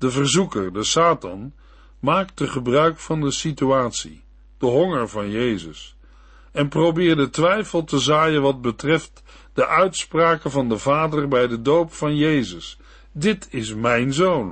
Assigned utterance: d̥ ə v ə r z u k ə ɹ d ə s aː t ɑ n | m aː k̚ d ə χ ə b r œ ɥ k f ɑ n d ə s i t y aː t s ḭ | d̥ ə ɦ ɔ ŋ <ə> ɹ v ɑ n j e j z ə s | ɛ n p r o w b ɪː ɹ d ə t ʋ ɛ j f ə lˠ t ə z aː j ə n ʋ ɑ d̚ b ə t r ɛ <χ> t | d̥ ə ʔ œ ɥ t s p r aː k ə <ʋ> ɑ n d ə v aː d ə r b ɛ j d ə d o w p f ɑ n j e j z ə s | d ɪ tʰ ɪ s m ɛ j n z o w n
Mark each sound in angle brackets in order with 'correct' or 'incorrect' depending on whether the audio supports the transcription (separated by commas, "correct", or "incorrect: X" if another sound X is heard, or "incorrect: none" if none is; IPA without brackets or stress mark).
correct, incorrect: f, incorrect: v